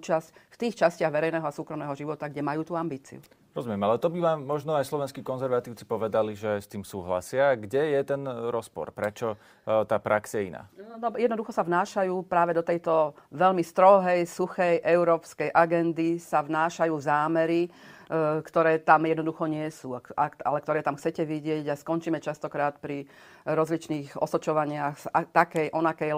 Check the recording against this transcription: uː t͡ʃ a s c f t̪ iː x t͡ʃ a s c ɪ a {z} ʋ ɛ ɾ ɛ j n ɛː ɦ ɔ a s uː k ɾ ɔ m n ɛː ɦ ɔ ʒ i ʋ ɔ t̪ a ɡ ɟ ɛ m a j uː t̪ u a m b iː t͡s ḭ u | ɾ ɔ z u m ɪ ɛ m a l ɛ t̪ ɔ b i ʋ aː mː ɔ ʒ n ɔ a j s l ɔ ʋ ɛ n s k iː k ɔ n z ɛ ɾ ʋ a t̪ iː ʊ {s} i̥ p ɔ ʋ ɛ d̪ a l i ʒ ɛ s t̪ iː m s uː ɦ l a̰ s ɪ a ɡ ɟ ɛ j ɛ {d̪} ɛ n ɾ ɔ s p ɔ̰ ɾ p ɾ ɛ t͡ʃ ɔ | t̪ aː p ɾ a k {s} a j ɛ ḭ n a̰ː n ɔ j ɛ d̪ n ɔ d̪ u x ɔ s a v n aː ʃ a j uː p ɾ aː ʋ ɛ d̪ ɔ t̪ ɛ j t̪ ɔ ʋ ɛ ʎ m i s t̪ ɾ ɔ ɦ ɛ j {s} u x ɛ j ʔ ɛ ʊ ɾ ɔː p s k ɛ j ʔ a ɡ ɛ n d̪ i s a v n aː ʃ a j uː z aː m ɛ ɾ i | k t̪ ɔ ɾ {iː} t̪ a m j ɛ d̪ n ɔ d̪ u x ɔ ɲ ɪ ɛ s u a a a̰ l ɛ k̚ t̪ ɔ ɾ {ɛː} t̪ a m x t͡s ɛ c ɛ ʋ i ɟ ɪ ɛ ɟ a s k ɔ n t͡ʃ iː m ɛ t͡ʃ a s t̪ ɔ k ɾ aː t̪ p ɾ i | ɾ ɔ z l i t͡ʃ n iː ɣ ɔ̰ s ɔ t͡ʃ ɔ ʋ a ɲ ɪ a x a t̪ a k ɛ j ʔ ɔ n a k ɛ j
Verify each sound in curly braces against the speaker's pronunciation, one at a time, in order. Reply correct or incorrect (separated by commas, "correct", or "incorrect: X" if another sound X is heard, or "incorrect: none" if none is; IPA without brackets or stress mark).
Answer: incorrect: ɣ, incorrect: t͡s, incorrect: t̪, correct, correct, incorrect: ɛː, correct